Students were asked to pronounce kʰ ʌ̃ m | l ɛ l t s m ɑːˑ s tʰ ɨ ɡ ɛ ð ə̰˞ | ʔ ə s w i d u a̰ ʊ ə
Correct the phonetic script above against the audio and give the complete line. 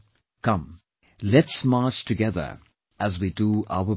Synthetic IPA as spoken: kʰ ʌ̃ m | l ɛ t s m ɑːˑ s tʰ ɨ ɡ ɛ ð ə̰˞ | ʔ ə z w i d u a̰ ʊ ə

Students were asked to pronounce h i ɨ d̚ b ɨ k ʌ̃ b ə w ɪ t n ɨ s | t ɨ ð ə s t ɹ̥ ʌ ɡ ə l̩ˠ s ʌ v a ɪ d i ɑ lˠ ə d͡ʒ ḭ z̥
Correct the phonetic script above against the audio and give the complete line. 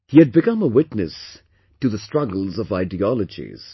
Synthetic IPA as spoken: h i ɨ d̚ b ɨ k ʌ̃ m ə w ɪ t n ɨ s | t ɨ ð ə s t ɹ̥ ʌ ɡ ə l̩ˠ z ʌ v a ɪ d i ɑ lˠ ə d͡ʒ ḭ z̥

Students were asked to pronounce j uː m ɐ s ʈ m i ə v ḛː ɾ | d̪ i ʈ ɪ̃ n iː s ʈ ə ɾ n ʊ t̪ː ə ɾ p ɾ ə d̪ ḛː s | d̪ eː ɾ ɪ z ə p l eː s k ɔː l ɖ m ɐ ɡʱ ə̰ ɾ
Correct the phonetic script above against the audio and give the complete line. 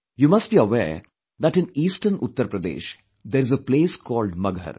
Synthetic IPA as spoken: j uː m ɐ s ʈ b i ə ʋ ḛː ɾ | d̪ æ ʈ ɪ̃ n iː s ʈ ə ɾ n ʊ t̪ː ə ɾ p ɾ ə d̪ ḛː ʃ | d̪ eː ɾ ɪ z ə p l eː s k ɔː l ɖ m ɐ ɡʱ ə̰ ɾ

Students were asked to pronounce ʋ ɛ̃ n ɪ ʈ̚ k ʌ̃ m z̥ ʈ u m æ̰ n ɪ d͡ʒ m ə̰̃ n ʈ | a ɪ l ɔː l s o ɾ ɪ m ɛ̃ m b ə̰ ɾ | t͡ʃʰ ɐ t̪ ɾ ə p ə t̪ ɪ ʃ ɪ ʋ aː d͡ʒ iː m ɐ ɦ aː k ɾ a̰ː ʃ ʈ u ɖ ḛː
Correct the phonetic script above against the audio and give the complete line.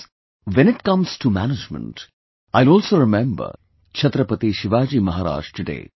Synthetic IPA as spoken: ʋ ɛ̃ n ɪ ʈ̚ k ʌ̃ m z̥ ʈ u m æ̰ n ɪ d͡ʒ m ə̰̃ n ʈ | a ɪ l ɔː l s o ɾ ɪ m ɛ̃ m b ə̰ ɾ | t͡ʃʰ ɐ t̪ ɾ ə p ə t̪ i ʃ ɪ ʋ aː d͡ʒ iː m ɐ ɦ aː ɾ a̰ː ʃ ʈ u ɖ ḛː

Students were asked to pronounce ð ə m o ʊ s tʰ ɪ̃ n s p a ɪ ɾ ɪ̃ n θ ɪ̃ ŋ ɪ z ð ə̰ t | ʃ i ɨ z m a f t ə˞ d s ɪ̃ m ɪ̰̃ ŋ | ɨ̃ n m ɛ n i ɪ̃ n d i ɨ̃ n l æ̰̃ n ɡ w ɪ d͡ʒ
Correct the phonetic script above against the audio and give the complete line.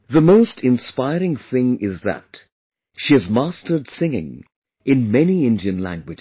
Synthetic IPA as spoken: ð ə m o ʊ s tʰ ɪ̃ n s p a ɪ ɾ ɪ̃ ŋ θ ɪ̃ ŋ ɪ z ð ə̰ t | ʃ i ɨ z m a s t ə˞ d s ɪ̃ ŋ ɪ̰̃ ŋ | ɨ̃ n m ɛ n i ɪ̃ n d i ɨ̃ n l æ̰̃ ŋ ɡ w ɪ d͡ʒ

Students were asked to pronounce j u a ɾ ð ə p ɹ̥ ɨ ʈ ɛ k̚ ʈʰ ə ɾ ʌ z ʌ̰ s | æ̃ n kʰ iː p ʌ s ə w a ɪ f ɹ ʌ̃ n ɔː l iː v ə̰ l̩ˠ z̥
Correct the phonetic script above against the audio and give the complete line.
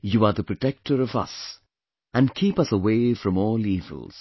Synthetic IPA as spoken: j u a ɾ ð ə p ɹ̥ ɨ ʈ ɛ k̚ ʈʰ ə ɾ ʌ v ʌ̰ s | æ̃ n kʰ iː p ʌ s ə w e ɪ f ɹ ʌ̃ m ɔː l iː v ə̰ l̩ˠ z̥

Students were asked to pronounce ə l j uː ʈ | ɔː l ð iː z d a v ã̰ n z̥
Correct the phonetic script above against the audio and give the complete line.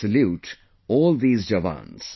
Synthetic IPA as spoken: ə l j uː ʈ | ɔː l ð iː z d͡ʒ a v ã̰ n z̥

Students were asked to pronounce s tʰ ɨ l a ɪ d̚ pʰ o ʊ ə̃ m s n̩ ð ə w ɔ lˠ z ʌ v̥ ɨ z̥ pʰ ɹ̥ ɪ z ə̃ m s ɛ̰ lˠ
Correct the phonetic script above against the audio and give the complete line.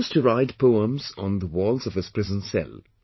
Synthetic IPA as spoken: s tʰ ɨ ɹ a ɪ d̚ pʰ o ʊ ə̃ m z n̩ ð ə w ɔ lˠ z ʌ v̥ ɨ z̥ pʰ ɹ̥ ɪ z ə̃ n s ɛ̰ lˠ

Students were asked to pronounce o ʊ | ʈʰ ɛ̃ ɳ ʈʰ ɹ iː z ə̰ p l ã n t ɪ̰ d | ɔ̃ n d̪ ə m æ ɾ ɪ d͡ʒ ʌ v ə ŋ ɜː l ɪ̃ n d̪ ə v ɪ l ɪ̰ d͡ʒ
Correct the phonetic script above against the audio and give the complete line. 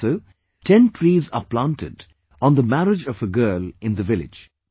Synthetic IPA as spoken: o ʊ | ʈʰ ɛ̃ n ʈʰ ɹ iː z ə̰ p l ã n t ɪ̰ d | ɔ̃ n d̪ ə m æ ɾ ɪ d͡ʒ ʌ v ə ɡ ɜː l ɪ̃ n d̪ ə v ɪ l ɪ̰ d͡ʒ

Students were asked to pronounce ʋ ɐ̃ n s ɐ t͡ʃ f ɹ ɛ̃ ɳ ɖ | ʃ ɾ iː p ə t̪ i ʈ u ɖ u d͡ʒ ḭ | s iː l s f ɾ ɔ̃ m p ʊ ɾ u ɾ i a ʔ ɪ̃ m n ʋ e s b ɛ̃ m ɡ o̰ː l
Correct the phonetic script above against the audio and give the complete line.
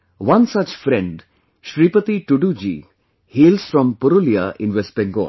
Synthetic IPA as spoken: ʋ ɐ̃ n s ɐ t͡ʃ f ɾ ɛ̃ ɳ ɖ | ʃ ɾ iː p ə t̪ i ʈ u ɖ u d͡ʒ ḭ | h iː l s f ɾ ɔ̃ m p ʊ ɾ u l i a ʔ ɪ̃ n ʋ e s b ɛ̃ ŋ ɡ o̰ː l

